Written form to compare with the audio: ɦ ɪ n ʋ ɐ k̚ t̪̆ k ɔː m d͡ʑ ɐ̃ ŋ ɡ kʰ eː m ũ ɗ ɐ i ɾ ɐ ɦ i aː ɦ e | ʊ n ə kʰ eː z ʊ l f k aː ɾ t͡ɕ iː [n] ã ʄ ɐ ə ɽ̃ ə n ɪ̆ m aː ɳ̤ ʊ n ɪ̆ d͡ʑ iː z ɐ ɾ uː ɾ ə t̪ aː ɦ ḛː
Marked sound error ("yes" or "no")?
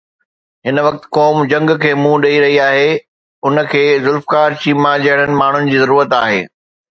yes